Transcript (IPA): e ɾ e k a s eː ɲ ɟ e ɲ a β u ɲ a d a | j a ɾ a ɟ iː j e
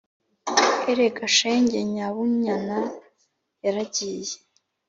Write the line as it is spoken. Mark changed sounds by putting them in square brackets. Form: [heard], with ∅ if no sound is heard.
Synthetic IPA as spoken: e ɾ e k a [ʃ] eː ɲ ɟ e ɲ a β u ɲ a [n] a | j a ɾ a ɟ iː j e